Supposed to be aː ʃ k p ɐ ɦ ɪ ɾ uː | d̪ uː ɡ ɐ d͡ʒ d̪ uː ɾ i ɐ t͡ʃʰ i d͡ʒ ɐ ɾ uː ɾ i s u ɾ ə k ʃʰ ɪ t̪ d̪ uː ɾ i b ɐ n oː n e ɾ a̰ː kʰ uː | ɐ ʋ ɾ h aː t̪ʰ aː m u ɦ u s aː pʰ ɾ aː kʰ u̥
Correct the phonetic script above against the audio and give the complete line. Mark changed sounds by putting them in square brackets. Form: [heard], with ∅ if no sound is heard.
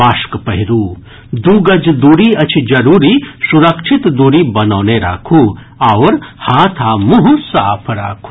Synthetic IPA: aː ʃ k p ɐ ɦ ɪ ɾ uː | d̪ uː ɡ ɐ d͡ʒ d̪ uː ɾ i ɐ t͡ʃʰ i d͡ʒ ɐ ɾ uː ɾ i s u ɾ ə k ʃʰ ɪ t̪ d̪ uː ɾ i b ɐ n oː n e ɾ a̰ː kʰ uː | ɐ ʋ ɾ h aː t̪ʰ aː m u ɦ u s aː pʰ ɾ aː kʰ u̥